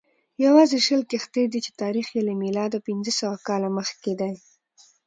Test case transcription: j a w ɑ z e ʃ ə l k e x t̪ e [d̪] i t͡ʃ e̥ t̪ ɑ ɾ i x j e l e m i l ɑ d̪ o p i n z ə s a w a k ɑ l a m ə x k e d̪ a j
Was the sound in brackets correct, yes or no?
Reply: yes